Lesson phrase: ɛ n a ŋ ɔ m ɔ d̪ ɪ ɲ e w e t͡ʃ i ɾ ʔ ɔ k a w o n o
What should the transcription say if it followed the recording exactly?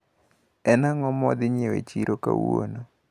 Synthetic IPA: ɛ n a ŋ ɔ m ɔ d̪ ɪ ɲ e w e t͡ʃ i ɾ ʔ o k a w o n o